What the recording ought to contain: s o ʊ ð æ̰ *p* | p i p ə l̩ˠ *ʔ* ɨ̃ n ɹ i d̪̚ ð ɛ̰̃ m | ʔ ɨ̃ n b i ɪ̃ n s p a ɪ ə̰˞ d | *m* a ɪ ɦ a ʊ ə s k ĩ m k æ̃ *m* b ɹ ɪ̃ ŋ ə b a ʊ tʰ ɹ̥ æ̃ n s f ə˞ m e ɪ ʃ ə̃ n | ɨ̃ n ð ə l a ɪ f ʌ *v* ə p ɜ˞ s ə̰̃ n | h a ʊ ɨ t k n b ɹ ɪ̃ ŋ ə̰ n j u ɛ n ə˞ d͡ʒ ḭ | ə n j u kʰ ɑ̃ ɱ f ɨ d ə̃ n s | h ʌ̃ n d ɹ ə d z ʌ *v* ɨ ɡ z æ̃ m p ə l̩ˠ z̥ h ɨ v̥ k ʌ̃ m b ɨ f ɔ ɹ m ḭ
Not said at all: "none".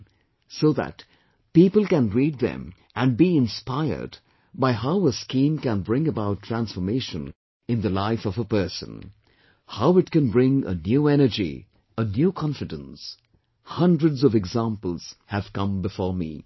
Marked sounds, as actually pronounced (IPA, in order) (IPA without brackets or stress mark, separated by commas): t, k, b, n, v, v